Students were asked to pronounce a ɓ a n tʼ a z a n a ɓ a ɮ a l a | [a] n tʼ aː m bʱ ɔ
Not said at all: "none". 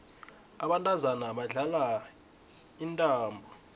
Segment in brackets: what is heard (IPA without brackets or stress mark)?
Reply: i